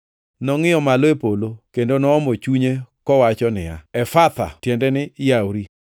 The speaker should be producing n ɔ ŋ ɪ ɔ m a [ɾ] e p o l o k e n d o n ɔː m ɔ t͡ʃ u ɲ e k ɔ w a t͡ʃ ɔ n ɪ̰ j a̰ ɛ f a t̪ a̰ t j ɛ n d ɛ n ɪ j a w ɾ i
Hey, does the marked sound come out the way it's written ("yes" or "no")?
no